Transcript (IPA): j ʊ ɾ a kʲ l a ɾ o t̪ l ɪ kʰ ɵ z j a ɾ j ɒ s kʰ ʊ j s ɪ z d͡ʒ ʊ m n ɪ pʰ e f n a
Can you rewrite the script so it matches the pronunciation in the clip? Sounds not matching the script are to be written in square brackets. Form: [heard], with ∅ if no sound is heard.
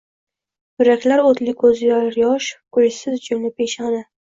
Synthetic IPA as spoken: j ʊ ɾ a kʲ l a ɾ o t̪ l ɪ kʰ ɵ z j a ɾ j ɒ [ʃ] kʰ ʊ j s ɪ z d͡ʒ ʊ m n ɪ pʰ e [ʃ] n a